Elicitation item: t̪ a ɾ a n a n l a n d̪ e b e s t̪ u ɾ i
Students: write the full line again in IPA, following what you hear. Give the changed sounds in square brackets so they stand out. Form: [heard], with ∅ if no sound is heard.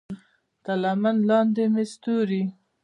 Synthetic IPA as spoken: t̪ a [l] a [m] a n l [ɑ] n d̪ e [m] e s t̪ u ɾ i